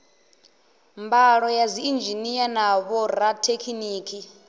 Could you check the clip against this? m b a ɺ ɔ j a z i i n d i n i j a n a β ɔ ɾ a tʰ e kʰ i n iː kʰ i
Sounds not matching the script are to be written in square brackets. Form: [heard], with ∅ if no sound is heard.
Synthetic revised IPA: m b a ɺ ɔ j a z i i n [d͡ʒ] i n i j a n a β ɔ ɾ a tʰ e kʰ i n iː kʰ i